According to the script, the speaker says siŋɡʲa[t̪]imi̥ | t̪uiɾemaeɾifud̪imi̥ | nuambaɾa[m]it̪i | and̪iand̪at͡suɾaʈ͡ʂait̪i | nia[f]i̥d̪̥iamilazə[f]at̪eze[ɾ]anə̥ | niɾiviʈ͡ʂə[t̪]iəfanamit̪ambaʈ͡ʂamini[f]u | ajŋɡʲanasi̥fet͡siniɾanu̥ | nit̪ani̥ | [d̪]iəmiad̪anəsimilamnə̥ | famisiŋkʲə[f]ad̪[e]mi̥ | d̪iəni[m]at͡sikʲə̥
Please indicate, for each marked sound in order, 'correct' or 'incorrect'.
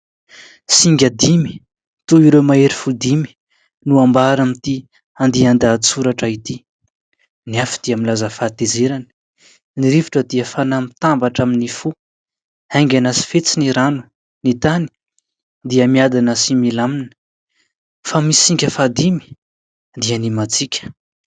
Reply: incorrect: d̪, correct, correct, correct, correct, incorrect: d̪, correct, correct, correct, incorrect: i, correct

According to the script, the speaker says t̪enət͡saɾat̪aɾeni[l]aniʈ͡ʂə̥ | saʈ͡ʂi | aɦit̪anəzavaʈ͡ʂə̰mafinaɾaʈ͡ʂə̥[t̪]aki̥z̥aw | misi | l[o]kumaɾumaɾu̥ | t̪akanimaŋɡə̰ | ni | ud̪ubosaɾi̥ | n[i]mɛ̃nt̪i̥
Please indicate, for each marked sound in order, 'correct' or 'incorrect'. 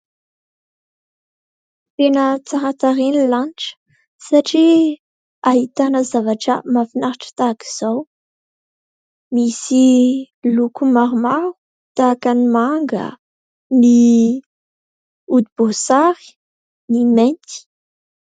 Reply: correct, correct, incorrect: u, correct

